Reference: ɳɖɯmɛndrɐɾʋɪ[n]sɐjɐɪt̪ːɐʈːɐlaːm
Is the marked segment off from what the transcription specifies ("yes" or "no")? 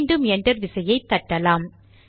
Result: yes